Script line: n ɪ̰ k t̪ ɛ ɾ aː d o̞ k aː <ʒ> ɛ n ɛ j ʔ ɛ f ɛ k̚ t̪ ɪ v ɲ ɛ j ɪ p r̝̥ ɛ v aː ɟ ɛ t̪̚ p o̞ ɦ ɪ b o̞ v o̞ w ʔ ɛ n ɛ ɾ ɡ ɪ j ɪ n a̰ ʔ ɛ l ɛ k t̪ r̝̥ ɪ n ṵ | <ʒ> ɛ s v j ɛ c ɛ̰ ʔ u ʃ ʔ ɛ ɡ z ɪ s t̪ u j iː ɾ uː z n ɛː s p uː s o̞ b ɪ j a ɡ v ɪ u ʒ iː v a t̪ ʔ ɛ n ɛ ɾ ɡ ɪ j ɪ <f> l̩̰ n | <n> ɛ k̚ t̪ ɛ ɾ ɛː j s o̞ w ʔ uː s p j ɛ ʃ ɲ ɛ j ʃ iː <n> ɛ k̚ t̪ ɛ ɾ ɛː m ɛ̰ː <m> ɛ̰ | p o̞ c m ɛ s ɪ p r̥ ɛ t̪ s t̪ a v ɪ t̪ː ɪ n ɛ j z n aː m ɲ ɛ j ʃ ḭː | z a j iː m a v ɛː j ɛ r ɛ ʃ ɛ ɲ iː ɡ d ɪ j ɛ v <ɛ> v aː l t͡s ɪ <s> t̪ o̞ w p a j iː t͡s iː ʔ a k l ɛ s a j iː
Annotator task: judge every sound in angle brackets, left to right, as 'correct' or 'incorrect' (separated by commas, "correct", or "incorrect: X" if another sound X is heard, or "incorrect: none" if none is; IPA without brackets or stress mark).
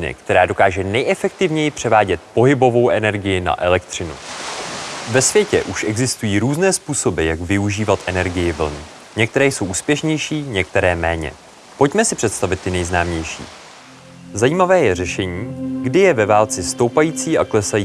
correct, incorrect: v, incorrect: v, incorrect: ɲ, incorrect: ɲ, incorrect: ɲ, correct, correct